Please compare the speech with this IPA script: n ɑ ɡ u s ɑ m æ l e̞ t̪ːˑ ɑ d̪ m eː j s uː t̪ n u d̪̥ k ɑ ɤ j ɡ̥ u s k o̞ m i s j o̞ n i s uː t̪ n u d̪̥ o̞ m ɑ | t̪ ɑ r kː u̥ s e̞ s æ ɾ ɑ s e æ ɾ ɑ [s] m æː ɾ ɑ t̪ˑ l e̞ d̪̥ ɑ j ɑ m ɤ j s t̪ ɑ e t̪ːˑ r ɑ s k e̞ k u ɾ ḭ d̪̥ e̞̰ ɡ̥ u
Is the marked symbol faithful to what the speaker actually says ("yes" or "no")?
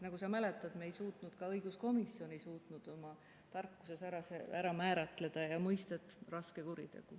no